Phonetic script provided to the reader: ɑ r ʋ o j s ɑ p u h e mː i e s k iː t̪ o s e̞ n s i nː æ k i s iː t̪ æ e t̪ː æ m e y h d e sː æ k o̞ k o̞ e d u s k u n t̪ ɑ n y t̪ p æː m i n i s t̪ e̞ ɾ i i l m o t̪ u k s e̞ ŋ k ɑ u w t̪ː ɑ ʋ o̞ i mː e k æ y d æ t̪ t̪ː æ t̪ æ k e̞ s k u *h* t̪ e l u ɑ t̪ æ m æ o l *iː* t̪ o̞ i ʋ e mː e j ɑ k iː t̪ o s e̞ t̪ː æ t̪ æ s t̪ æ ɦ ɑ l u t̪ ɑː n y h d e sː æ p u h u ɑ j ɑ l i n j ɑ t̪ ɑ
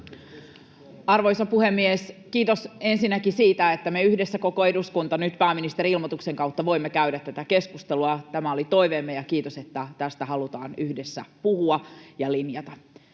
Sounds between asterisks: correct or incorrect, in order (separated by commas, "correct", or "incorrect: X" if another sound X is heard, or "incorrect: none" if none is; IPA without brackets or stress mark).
incorrect: s, incorrect: i